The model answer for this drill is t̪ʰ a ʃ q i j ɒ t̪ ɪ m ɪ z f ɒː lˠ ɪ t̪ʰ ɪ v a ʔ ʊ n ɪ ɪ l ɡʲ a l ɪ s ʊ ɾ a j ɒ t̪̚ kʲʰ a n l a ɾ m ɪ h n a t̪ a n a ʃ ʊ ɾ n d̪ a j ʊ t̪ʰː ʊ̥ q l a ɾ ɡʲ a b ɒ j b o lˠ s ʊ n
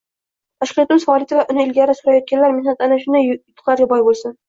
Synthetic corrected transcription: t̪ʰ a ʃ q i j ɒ t̪ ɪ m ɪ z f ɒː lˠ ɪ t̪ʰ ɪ v a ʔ ʊ n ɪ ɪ l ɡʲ a ɾ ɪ s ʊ ɾ a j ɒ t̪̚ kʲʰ a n l a ɾ m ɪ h n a t̪ a n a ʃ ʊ n d̪ a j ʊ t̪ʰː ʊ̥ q l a ɾ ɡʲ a b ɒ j b o lˠ s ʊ n